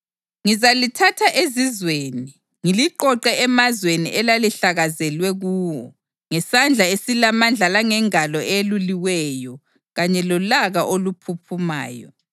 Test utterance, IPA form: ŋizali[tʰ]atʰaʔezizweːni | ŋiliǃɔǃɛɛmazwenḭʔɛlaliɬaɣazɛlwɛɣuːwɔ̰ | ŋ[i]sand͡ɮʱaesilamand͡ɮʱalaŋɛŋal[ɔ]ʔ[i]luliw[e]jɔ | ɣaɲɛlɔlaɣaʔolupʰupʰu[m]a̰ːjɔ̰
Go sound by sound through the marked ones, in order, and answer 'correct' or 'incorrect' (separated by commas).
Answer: correct, incorrect, correct, incorrect, incorrect, correct